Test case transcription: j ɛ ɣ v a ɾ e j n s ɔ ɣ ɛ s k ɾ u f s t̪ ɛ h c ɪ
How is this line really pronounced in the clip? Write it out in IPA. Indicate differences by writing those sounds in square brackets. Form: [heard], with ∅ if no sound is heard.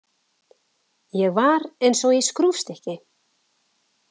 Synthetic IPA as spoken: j ɛ ɣ v a ɾ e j n s ɔ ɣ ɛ s k ɾ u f s t̪ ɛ h c ɪ